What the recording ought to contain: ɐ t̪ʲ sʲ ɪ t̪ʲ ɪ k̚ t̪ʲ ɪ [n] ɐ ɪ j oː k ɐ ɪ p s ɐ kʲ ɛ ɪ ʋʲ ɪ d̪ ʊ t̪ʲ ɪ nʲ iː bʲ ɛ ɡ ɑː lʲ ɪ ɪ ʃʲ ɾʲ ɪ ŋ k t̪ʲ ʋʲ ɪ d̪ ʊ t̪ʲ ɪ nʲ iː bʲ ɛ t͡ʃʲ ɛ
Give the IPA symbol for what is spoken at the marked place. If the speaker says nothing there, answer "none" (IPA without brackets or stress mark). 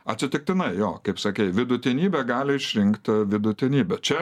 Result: n